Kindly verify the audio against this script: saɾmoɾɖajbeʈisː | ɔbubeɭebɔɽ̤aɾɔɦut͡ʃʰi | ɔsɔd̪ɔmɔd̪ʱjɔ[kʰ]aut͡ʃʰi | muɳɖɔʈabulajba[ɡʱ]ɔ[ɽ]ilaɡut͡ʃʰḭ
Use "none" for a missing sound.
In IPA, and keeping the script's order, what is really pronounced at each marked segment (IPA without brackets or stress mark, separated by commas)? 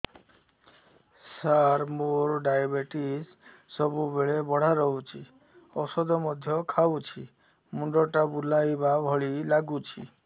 kʰ, bʱ, ɭ